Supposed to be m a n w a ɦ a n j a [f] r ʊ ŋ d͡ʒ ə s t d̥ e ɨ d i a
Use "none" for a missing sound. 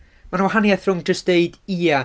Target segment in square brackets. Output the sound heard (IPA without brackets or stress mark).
θ